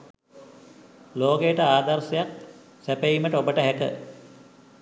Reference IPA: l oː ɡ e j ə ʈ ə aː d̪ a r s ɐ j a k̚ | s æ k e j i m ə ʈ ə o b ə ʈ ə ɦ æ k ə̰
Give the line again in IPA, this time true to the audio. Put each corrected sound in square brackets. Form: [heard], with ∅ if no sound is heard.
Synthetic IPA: l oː ɡ e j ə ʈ ə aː d̪ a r s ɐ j a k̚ | s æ [p] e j i m ə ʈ ə o b ə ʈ ə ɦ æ k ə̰